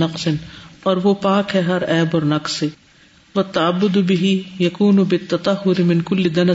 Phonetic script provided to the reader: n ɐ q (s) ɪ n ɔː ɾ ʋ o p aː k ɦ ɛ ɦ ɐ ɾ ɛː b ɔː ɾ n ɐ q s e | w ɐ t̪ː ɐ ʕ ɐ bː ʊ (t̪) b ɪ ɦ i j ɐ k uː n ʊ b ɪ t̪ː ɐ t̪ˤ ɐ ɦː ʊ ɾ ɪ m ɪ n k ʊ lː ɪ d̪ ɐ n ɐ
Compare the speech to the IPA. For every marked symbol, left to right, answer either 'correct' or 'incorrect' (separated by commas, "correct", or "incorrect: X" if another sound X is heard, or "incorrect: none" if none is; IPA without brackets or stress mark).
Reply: correct, incorrect: d̪